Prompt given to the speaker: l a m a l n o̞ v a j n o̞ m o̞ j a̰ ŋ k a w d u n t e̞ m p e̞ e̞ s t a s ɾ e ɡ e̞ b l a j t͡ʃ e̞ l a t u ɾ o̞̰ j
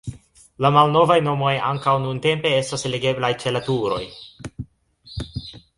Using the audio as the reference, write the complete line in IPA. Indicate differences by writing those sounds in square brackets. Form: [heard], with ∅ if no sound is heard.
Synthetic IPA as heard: l a m a l n o̞ v a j n o̞ m o̞ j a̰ ŋ k a w [n] u n t e̞ m p e̞ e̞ s t a s [l] e ɡ e̞ b l a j t͡ʃ e̞ l a t u ɾ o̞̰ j